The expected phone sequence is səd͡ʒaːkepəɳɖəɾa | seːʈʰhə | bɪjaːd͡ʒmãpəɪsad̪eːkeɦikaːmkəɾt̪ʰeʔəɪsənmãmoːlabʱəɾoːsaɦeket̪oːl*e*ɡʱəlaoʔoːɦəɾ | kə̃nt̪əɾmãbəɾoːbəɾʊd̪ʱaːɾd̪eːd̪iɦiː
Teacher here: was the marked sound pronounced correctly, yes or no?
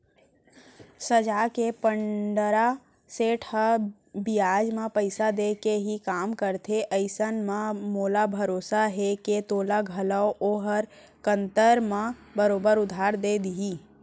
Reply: no